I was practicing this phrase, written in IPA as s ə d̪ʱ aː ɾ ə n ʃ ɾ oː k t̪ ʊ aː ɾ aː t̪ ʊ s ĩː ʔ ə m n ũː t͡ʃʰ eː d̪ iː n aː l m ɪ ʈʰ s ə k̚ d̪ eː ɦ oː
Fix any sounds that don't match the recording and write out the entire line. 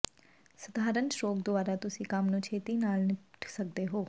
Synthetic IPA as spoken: s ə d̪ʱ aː ɾ ə n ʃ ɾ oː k d̪ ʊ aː ɾ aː t̪ ʊ s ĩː k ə m n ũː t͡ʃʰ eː t̪ iː n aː l n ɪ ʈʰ s ə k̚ d̪ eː ɦ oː

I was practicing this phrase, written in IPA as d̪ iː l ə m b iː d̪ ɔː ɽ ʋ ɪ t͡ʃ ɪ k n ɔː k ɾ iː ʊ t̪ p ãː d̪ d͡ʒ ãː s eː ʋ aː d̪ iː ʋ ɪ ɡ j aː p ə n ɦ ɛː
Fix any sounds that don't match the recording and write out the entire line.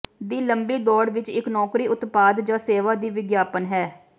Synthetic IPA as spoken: d̪ iː l ə m b iː d̪ ɔː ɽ ʋ ɪ t͡ʃ ɪ k n ɔː k ɾ iː ʊ t̪ p aː d̪ d͡ʒ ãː s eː ʋ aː d̪ iː ʋ ɪ ɡ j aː p ə n ɦ ɛː

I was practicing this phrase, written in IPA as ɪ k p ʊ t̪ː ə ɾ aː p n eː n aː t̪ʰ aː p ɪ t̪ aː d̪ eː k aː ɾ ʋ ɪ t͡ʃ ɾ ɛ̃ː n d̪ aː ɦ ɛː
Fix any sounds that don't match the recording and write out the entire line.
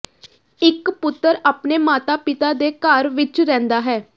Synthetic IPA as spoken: ɪ k p ʊ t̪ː ə ɾ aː p n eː m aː t̪ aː p ɪ t̪ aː d̪ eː k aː ɾ ʋ ɪ t͡ʃ ɾ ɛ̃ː n d̪ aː ɦ ɛː

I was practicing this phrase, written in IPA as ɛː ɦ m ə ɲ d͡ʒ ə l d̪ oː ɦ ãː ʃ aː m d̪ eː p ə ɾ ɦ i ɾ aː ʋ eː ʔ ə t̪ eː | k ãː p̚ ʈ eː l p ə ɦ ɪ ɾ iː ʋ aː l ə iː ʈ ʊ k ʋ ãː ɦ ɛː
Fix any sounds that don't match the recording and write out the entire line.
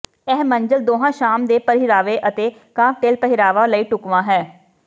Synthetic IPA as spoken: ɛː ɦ m ə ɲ d͡ʒ ə l d̪ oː ɦ ãː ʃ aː m d̪ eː p ə ɾ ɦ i ɾ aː ʋ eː ʔ ə t̪ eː | k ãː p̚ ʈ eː l p ə ɦ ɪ ɾ aː ʋ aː l ə iː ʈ ʊ k ʋ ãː ɦ ɛː

